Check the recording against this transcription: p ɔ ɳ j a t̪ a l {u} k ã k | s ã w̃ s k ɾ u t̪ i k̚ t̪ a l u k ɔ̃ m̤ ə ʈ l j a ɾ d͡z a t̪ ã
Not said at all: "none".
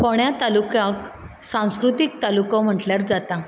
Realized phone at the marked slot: u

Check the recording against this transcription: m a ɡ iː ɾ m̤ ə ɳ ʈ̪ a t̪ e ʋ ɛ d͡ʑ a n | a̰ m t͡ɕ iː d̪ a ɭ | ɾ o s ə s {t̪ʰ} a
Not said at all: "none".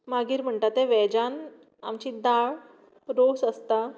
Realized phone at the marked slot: t̪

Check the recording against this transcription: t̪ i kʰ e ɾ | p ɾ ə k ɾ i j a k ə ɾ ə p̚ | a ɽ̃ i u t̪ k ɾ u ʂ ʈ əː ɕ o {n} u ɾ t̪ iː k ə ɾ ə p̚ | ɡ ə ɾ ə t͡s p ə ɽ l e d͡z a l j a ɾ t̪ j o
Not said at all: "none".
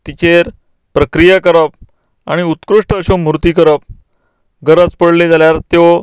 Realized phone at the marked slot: m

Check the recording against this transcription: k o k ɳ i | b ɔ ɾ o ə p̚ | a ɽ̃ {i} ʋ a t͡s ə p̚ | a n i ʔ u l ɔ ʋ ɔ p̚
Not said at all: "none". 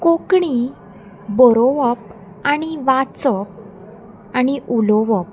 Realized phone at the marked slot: i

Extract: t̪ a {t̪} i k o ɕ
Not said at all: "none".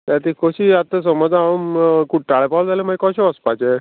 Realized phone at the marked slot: t̪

